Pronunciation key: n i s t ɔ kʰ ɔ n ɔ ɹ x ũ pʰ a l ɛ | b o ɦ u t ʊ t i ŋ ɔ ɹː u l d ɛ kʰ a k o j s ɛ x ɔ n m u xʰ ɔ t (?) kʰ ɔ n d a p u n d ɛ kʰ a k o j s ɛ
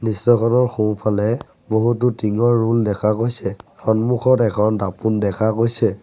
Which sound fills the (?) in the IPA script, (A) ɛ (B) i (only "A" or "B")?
A